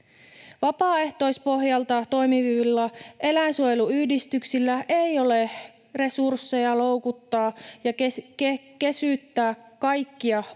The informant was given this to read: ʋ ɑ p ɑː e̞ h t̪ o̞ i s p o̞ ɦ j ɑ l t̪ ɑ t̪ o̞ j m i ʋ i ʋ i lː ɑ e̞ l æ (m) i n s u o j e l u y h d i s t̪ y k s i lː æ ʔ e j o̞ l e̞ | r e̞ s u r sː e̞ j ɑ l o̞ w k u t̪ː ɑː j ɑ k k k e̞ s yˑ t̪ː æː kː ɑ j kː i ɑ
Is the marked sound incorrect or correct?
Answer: incorrect